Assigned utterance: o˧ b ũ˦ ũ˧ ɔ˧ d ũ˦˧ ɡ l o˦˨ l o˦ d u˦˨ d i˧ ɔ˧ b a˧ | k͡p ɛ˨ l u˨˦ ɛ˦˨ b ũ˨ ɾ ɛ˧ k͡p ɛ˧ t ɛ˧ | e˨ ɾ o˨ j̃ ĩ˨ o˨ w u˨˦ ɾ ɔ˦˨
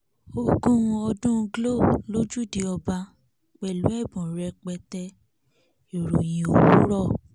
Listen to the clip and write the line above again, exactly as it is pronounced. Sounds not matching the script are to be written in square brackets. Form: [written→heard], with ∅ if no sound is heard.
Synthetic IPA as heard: o˧ [b→ɡ] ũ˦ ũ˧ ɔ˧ d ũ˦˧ ɡ l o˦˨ l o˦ [d→d͡ʒ] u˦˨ d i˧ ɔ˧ b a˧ | k͡p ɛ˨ l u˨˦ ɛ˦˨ b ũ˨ ɾ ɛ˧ k͡p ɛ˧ t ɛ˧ | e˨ ɾ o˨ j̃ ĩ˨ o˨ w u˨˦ ɾ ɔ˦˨